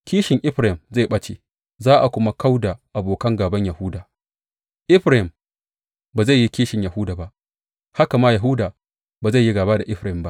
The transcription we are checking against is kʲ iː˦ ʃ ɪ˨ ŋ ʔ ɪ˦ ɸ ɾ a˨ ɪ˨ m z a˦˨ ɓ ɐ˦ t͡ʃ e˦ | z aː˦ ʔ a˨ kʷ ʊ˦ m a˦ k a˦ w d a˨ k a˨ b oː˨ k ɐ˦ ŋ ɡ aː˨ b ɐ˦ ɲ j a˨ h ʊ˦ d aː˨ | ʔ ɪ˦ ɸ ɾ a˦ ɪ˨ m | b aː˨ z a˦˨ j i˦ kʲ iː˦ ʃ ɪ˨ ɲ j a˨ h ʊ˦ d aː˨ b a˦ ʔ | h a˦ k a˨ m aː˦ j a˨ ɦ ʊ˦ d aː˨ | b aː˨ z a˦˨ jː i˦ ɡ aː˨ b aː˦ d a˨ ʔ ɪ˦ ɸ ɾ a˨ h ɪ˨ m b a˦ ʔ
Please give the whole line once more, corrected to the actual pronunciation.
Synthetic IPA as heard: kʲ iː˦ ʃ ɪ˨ ŋ ʔ ɪ˦ ɸ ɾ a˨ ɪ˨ m z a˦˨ ɓ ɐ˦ t͡ʃ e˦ | z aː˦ ʔ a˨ kʷ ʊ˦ m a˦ k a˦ w d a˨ ʔ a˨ b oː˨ k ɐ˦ ŋ ɡ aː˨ b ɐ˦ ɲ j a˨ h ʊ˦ d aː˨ | ʔ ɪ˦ ɸ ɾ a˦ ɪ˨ m | b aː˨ z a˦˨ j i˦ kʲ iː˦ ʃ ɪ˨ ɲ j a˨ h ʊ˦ d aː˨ b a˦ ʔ | h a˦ k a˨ m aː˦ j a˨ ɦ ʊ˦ d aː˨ | b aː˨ z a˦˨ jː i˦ ɡ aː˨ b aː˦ d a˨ ʔ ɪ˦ ɸ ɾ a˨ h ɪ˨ m b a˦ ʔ